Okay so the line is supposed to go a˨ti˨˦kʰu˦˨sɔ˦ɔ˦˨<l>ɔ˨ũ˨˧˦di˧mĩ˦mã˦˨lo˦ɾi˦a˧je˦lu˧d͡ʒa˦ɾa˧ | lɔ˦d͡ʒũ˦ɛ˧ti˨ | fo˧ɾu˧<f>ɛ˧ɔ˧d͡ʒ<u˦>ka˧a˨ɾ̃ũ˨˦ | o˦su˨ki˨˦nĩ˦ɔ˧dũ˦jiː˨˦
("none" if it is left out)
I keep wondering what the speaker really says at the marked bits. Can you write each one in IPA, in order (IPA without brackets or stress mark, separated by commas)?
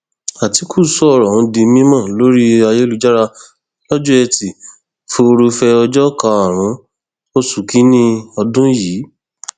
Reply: ɾ, f, ɔ˦